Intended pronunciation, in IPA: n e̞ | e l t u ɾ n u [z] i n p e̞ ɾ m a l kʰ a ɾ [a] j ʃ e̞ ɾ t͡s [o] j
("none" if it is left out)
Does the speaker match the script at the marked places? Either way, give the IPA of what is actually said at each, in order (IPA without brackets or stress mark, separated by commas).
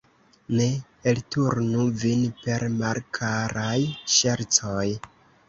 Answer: v, a, o